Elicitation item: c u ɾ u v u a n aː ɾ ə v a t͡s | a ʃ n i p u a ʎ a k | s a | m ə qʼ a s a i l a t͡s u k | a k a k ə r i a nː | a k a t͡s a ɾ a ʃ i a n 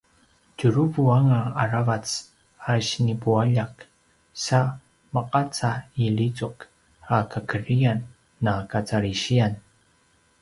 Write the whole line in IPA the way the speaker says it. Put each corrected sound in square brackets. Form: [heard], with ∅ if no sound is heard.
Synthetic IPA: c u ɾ u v u a [ŋ] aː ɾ [a] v a t͡s | a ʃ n i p u a ʎ a k | s a | m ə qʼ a [t͡s] a i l [i] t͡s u k | a k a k ə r i a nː | a k a t͡s a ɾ [i] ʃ i a n

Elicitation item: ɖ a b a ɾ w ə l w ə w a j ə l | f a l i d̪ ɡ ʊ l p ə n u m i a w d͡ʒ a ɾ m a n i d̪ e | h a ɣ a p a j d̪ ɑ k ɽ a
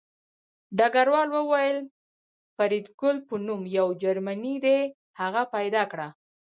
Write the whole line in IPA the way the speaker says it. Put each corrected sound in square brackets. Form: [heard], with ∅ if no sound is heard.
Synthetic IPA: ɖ a [ɡ] a ɾ w [ɑ] l w ə w a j ə l | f a [ɾ] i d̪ ɡ ʊ l p ə n u m [j] a w d͡ʒ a ɾ m a n i d̪ e | h a ɣ a p a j d̪ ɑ k ɽ a

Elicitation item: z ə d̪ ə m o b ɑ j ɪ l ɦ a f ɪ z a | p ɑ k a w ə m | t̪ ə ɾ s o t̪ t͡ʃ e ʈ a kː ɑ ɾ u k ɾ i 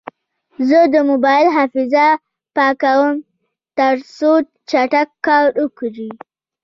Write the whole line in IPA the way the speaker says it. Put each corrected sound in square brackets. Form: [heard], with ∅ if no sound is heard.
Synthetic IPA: z ə d̪ ə m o b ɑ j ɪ l ɦ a f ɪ z a | p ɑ k a w ə m | t̪ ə ɾ s o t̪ t͡ʃ [a] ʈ a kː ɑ ɾ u k ɾ i

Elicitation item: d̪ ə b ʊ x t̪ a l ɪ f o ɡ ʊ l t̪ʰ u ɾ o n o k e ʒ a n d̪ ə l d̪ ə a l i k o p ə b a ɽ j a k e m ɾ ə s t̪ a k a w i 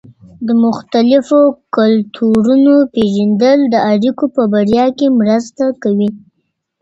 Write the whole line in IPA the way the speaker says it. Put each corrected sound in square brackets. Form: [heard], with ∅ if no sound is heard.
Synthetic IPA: d̪ ə [m] ʊ x t̪ a l ɪ f o [k] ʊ l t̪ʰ u ɾ [u] n o [p] e ʒ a n d̪ ə l d̪ ə a [ɽ] i k o p ə b a ɽ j [ɑ] k e m ɾ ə s t̪ a k a w i

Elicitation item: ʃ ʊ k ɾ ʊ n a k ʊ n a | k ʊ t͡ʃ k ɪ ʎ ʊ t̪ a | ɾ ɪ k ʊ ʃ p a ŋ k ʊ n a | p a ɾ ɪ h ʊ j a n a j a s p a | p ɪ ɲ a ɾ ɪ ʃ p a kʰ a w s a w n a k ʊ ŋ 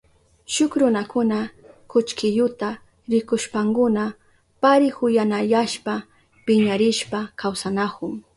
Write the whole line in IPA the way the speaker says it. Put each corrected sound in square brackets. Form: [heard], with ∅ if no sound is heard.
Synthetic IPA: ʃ ʊ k ɾ ʊ n a k ʊ n a | k ʊ t͡ʃ k ɪ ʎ ʊ t̪ a | ɾ ɪ k ʊ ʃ p a ŋ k ʊ n a | p a ɾ ɪ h ʊ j a n a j a [ʃ] p a | p ɪ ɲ a ɾ ɪ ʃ p a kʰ a w s a [∅] n a k ʊ ŋ

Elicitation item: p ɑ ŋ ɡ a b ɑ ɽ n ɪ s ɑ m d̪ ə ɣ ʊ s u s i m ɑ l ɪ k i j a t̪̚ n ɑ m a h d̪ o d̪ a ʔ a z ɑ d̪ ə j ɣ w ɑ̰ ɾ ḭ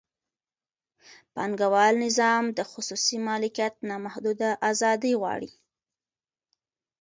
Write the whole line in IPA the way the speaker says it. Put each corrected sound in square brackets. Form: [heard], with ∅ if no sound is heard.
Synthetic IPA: p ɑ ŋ ɡ a [w] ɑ [l] n ɪ [z] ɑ m d̪ ə [x] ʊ s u s i m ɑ l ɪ k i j a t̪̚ n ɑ m a h d̪ [u] d̪ a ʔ a z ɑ d̪ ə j ɣ w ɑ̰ [ɽ] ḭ

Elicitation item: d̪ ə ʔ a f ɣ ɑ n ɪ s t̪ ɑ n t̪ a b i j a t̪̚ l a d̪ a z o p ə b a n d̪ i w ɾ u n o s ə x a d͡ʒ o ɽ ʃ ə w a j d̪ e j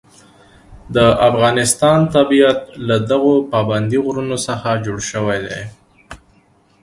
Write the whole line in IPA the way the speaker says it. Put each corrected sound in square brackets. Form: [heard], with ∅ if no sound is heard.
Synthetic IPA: d̪ ə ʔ a f ɣ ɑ n ɪ s t̪ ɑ n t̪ a b i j a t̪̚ l a d̪ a [ɣ] o p [ɑ] b a n d̪ i [ɣ] ɾ u n o s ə x a d͡ʒ o ɽ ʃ ə w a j d̪ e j

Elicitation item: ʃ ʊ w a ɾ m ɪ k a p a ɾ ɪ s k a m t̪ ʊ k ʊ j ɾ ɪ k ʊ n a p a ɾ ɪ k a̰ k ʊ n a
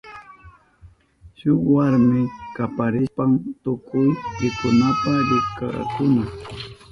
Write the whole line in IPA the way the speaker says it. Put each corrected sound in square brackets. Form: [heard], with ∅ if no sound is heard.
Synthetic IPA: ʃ ʊ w a ɾ m ɪ k a p a ɾ ɪ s [p] a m t̪ ʊ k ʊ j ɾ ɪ k ʊ n a p a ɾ ɪ k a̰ k ʊ n a

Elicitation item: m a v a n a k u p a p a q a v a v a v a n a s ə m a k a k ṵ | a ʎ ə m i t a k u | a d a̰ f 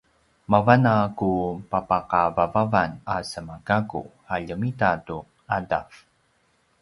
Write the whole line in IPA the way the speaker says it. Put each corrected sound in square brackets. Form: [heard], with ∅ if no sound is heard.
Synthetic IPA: m a v a n a k u p a p a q a v a v a v a n a s ə m a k a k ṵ | a ʎ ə m i t a [t] u | a d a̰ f

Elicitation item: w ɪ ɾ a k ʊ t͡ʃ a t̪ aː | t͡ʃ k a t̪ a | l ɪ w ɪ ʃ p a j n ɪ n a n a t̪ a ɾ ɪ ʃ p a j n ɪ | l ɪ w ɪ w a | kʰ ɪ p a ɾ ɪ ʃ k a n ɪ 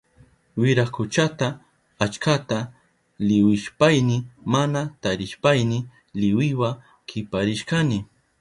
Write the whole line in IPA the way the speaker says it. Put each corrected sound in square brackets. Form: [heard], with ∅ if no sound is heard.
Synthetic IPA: w ɪ ɾ a k ʊ t͡ʃ a t̪ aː | t͡ʃ k a t̪ a | l ɪ w ɪ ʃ p a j n ɪ [m] a n a t̪ a ɾ ɪ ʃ p a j n ɪ | l ɪ w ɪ w a | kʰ ɪ p a ɾ ɪ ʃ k a n ɪ

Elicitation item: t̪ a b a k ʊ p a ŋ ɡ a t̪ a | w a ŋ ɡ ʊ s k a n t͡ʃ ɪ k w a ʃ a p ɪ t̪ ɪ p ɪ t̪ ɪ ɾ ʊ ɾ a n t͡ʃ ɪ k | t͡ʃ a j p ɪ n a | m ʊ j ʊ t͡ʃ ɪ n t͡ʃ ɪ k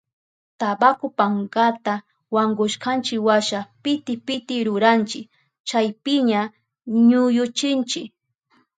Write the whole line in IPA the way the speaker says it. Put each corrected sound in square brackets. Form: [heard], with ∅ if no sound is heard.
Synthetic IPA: t̪ a b a k ʊ p a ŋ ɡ a t̪ a | w a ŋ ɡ ʊ [ʃ] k a n t͡ʃ ɪ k w a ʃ a p ɪ t̪ ɪ p ɪ t̪ ɪ ɾ ʊ ɾ a n t͡ʃ ɪ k | t͡ʃ a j p ɪ [ɲ] a | [ɲ] ʊ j ʊ t͡ʃ ɪ n t͡ʃ ɪ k

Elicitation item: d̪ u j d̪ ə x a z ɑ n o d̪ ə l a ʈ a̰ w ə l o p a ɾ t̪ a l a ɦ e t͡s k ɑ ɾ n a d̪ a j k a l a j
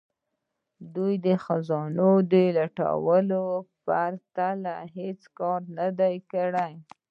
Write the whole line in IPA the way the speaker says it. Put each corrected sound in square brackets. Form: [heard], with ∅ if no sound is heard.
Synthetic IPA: d̪ u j d̪ ə x a z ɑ n o d̪ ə l a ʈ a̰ w ə l o p a ɾ t̪ a l a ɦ e t͡s k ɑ ɾ n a d̪ a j k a [ɽ] a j

